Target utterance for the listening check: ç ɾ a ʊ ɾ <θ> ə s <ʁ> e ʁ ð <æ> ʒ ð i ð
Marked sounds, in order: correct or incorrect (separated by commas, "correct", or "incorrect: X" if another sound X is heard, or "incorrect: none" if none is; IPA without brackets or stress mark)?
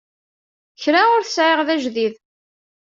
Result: correct, incorrect: ʕ, correct